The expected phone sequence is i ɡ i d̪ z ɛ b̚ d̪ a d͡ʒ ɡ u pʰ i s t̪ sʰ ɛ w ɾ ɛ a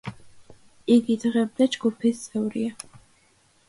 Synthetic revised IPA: i ɡ i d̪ ʁ ɛ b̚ d̪ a d͡ʒ ɡ u pʰ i s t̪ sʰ ɛ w ɾ i a

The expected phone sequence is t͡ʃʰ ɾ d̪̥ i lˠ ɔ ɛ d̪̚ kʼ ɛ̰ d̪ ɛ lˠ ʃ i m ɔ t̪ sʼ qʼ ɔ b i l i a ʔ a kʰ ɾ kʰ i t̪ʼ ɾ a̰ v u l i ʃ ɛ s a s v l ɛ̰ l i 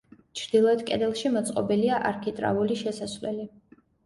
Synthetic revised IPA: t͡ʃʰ ɾ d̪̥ i lˠ ɔ ɛ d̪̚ kʼ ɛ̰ d̪ ɛ lˠ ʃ i m ɔ t̪ sʼ qʼ ɔ b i l i a ʔ a ɾ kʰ i t̪ʼ ɾ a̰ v u l i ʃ ɛ s a s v l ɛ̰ l i

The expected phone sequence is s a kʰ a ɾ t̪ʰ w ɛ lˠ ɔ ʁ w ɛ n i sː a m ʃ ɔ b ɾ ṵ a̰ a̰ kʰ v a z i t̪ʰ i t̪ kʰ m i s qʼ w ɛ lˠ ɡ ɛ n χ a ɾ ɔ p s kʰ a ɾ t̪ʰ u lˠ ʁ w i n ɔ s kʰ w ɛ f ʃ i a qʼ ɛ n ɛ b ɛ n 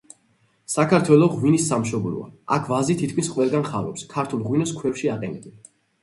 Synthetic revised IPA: s a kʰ a ɾ t̪ʰ w ɛ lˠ ɔ ʁ w i n i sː a m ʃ ɔ b ɾ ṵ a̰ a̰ kʰ v a z i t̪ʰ i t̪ kʰ m i s qʼ w ɛ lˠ ɡ a n χ a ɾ ɔ p s kʰ a ɾ t̪ʰ u lˠ ʁ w i n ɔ s kʰ w ɛ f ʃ i a qʼ ɛ n ɛ b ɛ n

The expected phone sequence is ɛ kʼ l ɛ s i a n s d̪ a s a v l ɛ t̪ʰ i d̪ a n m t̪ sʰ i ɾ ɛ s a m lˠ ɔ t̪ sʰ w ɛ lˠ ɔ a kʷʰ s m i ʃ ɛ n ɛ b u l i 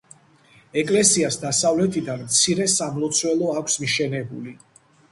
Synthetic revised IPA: ɛ kʼ l ɛ s i a s d̪ a s a v l ɛ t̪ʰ i d̪ a n m t̪ sʰ i ɾ ɛ s a m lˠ ɔ t̪ sʰ w ɛ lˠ ɔ a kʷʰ s m i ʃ ɛ n ɛ b u l i

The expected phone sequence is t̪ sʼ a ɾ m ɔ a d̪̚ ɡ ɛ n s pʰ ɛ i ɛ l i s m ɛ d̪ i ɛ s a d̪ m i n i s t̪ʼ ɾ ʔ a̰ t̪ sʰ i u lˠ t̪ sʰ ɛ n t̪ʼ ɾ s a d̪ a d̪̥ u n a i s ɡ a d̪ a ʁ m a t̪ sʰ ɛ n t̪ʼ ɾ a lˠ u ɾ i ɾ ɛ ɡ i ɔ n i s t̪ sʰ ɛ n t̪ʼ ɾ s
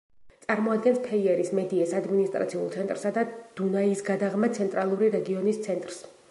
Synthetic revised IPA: t̪ sʼ a ɾ m ɔ a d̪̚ ɡ ɛ n s pʰ ɛ i ɛ ɾ i s m ɛ d̪ i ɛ s a d̪ m i n i s t̪ʼ ɾ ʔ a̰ t̪ sʰ i u lˠ t̪ sʰ ɛ n t̪ʼ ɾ s a d̪ a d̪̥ u n a i s ɡ a d̪ a ʁ m a t̪ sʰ ɛ n t̪ʼ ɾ a lˠ u ɾ i ɾ ɛ ɡ i ɔ n i s t̪ sʰ ɛ n t̪ʼ ɾ s

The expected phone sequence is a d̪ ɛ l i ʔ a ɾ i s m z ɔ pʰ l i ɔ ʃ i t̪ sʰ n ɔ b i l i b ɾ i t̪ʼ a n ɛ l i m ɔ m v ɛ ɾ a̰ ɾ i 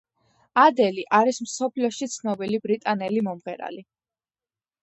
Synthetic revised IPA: a d̪ ɛ l i ʔ a ɾ i s m s ɔ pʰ l i ɔ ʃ i t̪ sʰ n ɔ b i l i b ɾ i t̪ʼ a n ɛ l i m ɔ m ʁ ɛ ɾ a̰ l i

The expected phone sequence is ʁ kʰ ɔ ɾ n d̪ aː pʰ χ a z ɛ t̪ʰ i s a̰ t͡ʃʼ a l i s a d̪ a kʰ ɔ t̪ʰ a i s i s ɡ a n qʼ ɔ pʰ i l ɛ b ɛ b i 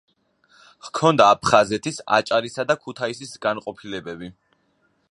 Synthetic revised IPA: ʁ kʰ ɔ n d̪ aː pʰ χ a z ɛ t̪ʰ i s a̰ t͡ʃʼ a ɾ i s a d̪ a kʰ u t̪ʰ a i s i s ɡ a n qʼ ɔ pʰ i l ɛ b ɛ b i

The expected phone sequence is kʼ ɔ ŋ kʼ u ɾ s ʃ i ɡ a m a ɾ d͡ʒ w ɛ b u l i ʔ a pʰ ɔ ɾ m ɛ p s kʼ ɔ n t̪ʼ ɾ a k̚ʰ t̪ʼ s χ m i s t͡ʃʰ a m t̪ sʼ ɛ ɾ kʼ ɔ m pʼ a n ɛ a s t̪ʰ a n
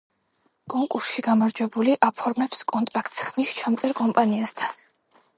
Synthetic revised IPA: kʼ ɔ ŋ kʼ u ɾ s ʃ i ɡ a m a ɾ d͡ʒ w ɛ b u l i ʔ a pʰ ɔ ɾ m ɛ p s kʼ ɔ n t̪ʼ ɾ a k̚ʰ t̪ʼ s χ m i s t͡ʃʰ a m t̪ sʼ ɛ ɾ kʼ ɔ m pʼ a n i a s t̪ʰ a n

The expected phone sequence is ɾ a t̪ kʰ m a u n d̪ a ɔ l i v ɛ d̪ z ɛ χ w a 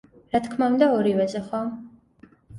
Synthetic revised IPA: ɾ a t̪ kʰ m a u n d̪ a ɔ ɾ i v ɛ z ɛ χ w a

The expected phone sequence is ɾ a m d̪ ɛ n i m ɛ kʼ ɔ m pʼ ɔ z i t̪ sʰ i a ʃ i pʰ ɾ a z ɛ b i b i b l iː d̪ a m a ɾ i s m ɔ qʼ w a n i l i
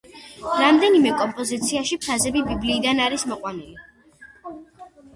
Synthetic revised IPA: ɾ a m d̪ ɛ n i m ɛ kʼ ɔ m pʼ ɔ z i t̪ sʰ i a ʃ i pʰ ɾ a z ɛ b i b i b l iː d̪ a n a ɾ i s m ɔ qʼ w a n i l i

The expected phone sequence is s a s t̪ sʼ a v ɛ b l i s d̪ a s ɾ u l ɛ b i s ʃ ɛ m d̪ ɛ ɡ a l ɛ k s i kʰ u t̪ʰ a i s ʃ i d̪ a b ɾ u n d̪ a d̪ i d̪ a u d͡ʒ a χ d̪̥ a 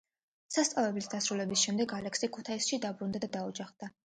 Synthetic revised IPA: s a s t̪ sʼ a v ɛ b l i s d̪ a s ɾ u l ɛ b i s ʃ ɛ m d̪ ɛ ɡ a l ɛ k s i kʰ u t̪ʰ a i s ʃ i d̪ a b ɾ u n d̪ a d̪ a d̪ a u d͡ʒ a χ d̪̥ a

